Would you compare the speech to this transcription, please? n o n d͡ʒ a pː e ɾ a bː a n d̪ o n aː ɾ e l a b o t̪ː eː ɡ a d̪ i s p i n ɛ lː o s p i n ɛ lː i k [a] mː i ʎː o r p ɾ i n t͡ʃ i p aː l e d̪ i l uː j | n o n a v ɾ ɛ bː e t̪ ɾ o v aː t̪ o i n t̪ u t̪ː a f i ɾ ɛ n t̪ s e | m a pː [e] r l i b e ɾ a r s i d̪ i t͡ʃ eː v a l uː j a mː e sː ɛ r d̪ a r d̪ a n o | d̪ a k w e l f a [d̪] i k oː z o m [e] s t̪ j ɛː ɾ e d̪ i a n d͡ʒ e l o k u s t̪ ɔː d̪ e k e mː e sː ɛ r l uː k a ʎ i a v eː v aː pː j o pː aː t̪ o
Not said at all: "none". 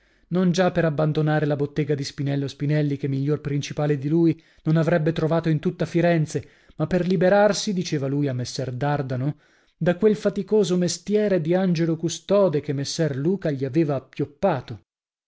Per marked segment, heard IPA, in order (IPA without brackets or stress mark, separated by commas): e, e, t̪, e